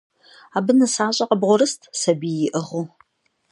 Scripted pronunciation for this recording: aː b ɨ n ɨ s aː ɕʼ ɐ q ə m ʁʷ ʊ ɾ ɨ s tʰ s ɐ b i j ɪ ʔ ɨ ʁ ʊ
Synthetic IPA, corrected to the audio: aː b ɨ n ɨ s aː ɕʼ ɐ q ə b ʁʷ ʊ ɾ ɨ s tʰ s ɐ b i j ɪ ʔ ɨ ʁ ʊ